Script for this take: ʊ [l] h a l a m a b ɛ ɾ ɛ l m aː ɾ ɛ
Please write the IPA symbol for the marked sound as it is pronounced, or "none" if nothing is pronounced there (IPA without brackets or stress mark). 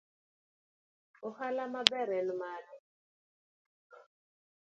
none